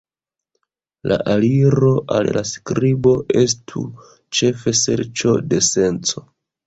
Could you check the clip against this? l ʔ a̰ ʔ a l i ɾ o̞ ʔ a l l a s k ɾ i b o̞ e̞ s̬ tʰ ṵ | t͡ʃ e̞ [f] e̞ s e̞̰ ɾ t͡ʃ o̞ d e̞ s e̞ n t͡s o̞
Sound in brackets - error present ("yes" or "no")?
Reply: no